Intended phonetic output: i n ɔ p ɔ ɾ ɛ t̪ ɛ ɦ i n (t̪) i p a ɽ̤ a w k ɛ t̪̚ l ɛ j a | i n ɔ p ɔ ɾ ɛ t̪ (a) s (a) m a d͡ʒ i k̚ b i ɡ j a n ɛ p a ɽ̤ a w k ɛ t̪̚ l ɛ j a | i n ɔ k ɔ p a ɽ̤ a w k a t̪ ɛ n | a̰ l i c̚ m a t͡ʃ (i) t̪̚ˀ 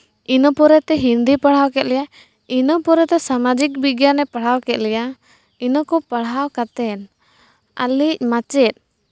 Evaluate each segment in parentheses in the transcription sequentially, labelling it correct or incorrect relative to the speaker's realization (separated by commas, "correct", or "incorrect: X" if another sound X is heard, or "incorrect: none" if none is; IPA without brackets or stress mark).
incorrect: d̪, incorrect: ɛ, correct, incorrect: ɛ